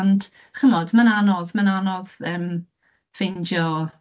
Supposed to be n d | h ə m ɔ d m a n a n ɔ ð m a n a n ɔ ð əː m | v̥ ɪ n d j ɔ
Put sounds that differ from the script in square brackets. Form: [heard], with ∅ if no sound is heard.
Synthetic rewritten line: n d | [χ] ə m ɔ d m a n a n ɔ ð m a n a n ɔ ð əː m | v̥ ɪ n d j ɔ